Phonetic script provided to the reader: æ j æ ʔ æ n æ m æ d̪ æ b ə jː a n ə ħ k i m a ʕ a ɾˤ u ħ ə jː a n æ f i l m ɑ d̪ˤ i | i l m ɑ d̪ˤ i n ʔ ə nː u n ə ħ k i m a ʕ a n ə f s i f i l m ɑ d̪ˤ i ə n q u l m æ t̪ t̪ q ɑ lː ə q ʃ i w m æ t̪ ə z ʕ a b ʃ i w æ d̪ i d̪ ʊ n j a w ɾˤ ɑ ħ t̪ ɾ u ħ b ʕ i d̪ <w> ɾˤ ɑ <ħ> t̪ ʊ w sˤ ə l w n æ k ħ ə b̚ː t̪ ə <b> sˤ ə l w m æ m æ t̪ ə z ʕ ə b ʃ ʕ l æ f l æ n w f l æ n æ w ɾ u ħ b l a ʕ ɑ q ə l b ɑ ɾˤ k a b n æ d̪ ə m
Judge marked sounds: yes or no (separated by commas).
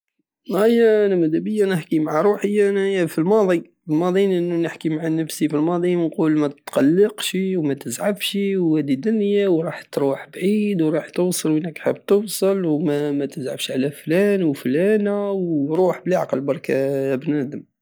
yes, yes, no